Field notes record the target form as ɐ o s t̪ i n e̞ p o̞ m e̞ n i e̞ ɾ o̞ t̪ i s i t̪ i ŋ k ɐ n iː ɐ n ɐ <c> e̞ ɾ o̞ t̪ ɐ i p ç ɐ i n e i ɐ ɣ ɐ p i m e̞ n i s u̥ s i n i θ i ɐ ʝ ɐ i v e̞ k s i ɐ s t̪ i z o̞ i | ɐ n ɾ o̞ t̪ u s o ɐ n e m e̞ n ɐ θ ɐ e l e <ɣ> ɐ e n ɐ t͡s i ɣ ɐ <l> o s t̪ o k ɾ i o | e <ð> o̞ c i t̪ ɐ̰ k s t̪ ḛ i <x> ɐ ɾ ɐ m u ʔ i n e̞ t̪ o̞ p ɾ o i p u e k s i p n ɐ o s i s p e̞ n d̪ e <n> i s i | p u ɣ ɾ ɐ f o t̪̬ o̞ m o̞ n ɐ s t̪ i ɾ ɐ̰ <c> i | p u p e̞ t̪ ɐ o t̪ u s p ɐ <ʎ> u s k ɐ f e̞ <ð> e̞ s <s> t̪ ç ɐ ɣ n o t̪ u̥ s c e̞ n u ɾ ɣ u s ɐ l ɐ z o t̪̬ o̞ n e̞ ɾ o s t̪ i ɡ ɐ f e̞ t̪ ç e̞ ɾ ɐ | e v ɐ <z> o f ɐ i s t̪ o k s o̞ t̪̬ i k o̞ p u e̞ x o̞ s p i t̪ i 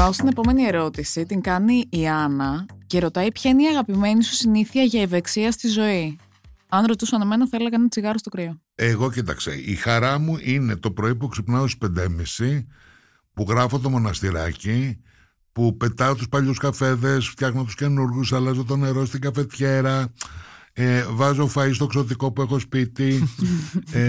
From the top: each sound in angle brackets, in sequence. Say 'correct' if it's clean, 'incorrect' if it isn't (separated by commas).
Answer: correct, correct, incorrect, incorrect, correct, incorrect, correct, correct, correct, incorrect, correct